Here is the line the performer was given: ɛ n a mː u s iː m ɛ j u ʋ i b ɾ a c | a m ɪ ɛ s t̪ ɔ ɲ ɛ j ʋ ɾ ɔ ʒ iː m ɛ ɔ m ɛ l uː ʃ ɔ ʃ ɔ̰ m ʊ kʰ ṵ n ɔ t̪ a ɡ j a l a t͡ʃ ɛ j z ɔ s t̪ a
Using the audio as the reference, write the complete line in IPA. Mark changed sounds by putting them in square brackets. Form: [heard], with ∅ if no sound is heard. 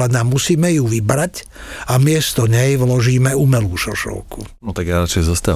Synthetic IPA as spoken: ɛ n a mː u s iː m ɛ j u ʋ i b ɾ a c | a m ɪ ɛ s t̪ ɔ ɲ ɛ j ʋ [l] ɔ ʒ iː m ɛ [u] m ɛ l uː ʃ ɔ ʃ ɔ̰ [∅] ʊ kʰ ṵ n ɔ t̪ a ɡ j a [ɾ] a t͡ʃ ɛ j z ɔ s t̪ a